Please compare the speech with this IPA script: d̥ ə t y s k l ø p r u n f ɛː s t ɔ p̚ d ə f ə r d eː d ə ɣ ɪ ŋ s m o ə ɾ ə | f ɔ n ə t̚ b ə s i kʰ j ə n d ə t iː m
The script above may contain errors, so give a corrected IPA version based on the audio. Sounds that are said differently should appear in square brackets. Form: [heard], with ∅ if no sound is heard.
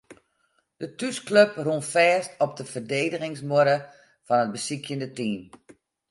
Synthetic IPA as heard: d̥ ə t y s k l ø p r u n f ɛː s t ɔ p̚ d ə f ə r d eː d ə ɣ ɪ ŋ s m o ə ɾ ə | f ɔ n ə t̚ b ə s i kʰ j ə n d ə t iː m

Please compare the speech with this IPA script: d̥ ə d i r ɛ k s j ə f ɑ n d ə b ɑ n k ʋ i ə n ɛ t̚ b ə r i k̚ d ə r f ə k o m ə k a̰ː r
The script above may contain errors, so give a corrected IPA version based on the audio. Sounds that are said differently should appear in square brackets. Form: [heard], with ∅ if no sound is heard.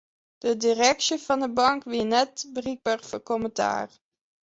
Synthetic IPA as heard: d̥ ə d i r ɛ k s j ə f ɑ n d ə b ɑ [ŋ] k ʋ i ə n ɛ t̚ b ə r i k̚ [b] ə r f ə k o m ə [t] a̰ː r

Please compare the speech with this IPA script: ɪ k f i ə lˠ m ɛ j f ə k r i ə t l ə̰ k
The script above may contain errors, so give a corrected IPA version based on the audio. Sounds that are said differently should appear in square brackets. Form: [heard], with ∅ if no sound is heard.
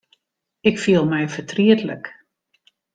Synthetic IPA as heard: ɪ k f i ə lˠ m ɛ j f ə [t] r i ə t l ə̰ k

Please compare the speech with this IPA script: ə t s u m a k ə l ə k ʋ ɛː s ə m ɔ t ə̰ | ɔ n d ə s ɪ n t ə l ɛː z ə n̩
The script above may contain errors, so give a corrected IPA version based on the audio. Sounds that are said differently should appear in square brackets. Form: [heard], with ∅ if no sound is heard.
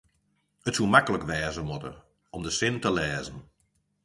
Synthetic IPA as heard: ə t s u m a k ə l ə k ʋ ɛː [z] ə m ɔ t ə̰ | ɔ [m] d ə s ɪ n t ə l ɛː z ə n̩

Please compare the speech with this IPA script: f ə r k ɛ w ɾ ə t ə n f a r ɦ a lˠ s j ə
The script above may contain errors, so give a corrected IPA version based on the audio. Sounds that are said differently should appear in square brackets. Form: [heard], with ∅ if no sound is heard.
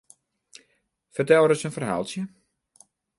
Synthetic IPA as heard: f ə r [t] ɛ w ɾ ə [s] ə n f [ə] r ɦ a lˠ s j ə

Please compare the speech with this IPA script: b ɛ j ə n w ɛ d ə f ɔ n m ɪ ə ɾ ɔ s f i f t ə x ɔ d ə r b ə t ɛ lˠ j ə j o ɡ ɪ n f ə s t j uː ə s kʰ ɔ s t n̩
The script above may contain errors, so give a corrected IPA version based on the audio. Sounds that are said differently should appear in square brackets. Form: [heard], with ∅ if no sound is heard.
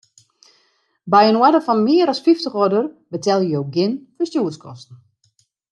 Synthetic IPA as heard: b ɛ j ə n w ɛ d ə f ɔ n m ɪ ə ɾ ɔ s f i f t ə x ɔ d ə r b ə t ɛ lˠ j ə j o ɡ ɪ n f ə s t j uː ə s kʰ ɔ s t n̩

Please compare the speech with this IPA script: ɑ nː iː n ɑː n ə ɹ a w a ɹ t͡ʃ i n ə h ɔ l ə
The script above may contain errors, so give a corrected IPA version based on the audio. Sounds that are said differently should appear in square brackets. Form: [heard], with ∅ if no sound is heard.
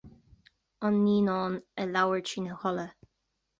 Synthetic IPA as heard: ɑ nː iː n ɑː n ə [l] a w [ə] ɹ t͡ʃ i n ə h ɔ l ə

